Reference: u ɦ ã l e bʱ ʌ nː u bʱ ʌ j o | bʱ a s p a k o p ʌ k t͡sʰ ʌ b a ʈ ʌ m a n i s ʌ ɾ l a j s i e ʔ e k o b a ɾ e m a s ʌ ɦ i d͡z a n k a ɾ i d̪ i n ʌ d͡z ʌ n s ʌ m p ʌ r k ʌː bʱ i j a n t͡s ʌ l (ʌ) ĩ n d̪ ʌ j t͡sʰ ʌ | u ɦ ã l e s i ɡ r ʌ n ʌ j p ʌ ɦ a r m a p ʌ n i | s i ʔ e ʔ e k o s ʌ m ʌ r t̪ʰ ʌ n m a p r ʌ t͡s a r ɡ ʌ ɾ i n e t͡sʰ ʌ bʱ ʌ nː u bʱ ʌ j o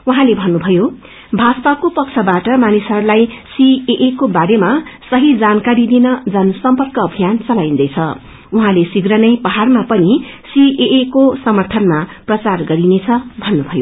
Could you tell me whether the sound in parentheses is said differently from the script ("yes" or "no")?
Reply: yes